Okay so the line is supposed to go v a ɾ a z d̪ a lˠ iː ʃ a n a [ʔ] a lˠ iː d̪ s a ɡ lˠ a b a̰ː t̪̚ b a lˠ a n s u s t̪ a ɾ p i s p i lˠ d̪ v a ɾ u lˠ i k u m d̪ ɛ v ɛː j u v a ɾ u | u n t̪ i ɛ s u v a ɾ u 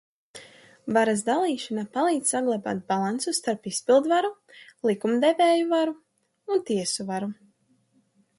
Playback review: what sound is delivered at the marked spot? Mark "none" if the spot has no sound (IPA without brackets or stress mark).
p